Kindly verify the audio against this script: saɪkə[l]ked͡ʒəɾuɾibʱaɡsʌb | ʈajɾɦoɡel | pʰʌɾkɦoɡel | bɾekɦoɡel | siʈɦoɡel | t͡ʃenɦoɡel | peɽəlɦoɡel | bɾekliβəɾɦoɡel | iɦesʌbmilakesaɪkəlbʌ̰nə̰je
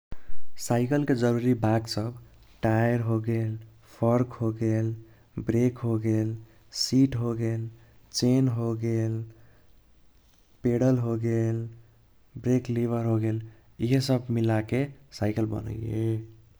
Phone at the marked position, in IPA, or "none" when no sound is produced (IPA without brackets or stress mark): l